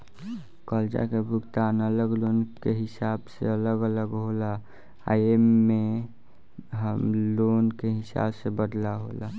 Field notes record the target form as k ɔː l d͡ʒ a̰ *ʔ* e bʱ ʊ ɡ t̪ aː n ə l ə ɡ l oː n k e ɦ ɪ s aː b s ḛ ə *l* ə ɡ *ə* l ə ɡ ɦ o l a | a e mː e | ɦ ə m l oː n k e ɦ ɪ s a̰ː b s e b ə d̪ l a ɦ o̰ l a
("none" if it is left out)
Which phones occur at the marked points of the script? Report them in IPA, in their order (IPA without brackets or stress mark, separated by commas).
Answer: k, l, ə